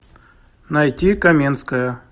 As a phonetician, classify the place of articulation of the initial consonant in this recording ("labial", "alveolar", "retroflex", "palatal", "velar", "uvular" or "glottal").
alveolar